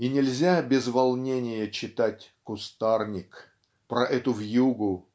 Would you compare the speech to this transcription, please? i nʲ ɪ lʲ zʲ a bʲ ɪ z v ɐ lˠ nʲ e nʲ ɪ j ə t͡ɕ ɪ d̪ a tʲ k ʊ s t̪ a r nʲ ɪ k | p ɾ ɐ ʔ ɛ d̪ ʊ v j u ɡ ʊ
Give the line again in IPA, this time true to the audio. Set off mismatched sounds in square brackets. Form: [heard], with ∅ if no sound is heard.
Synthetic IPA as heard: i nʲ ɪ lʲ zʲ a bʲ ɪ z v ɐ lˠ nʲ e nʲ ɪ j ə t͡ɕ ɪ [t̪] a tʲ k ʊ s t̪ a r nʲ ɪ k | p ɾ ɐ ʔ ɛ [t̪] ʊ v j u ɡ ʊ